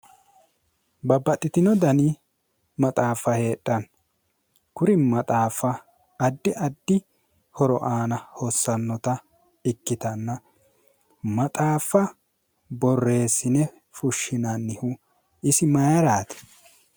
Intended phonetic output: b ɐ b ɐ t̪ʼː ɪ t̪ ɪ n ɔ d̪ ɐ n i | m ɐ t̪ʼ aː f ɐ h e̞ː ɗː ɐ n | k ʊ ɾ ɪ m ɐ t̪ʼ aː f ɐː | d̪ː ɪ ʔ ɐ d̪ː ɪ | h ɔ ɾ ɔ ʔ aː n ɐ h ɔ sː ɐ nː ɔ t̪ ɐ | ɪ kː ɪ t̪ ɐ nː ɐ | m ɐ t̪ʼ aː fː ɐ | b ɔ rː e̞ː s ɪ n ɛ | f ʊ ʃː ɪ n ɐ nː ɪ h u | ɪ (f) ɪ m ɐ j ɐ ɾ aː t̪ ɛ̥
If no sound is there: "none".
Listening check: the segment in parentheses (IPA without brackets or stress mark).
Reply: s